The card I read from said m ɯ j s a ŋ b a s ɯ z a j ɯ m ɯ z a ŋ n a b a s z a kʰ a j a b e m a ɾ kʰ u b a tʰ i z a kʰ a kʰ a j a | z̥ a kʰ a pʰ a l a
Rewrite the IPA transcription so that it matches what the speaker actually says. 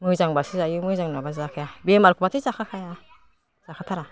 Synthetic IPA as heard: m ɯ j z a ŋ b a s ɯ z a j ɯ m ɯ z a ŋ n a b a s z a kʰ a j a b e m a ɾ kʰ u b a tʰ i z a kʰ a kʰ a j a | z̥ a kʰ a tʰ a ɾ a